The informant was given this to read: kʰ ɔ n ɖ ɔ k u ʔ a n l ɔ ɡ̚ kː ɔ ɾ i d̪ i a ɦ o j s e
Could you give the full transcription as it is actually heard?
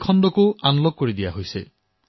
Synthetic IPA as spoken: kʰ ɔ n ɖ ɔ k u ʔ a n l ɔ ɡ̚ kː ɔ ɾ i d̪ i a ɦ o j s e